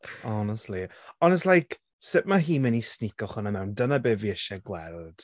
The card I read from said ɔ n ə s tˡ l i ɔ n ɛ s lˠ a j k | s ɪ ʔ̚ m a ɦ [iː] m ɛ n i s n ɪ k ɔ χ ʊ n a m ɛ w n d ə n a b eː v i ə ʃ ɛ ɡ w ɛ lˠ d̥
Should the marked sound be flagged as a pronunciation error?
no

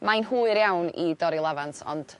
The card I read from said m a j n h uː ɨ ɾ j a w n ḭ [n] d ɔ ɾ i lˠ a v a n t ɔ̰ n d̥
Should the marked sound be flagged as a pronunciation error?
yes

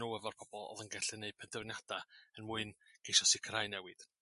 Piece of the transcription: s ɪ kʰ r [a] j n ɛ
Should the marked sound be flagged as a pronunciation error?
no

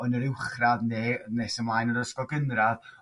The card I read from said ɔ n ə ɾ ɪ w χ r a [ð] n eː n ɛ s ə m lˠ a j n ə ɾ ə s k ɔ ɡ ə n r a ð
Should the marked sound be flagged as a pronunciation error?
no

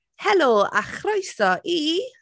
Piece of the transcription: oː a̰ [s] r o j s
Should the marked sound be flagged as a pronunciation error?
yes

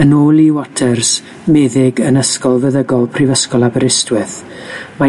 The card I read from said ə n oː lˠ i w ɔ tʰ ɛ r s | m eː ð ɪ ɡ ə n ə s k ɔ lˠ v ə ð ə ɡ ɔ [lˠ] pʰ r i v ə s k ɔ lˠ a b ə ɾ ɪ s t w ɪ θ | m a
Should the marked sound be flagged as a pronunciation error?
no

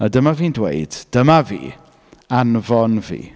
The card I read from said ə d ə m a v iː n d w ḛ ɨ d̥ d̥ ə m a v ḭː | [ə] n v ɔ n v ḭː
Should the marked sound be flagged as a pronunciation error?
yes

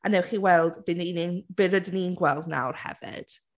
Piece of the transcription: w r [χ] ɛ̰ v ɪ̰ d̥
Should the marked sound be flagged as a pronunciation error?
yes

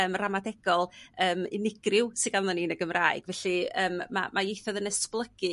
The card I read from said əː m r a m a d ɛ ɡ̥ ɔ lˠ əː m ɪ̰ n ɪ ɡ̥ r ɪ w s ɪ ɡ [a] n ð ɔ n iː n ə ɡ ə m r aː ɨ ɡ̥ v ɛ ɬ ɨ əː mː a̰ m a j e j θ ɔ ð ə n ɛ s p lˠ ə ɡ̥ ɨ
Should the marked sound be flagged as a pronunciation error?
no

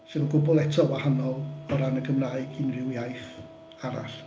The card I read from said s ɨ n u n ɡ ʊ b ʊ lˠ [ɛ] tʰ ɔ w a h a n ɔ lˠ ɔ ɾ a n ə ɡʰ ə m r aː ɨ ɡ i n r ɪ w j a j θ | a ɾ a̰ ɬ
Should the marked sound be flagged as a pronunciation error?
no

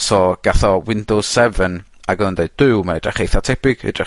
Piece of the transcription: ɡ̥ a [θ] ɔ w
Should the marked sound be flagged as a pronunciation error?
no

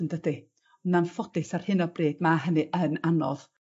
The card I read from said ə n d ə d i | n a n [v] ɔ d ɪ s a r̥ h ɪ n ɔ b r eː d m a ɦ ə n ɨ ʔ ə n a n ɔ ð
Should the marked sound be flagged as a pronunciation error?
yes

